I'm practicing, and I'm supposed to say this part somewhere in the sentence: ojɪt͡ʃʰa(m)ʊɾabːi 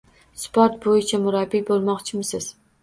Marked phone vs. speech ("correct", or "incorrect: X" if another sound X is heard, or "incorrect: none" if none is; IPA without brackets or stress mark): correct